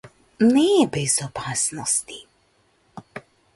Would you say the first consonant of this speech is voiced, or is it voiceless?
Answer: voiced